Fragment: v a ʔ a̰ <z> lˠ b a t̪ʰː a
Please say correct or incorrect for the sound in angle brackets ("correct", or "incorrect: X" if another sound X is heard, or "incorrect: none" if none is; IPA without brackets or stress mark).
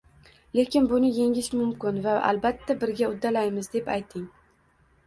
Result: incorrect: none